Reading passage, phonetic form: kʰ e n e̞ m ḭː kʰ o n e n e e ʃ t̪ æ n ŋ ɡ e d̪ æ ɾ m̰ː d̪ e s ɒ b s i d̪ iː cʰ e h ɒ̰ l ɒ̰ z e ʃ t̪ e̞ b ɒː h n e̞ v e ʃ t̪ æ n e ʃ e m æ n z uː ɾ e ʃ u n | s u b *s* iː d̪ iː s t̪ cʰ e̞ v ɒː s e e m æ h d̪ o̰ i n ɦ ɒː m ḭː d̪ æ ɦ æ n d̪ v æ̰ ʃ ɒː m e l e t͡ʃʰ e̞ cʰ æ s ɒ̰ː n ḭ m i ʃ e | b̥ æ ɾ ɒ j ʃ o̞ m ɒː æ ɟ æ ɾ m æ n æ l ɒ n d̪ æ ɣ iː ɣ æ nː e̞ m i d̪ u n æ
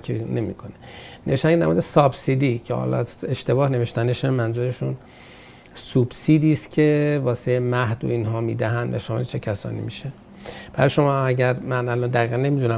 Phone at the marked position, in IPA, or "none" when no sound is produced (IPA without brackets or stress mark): s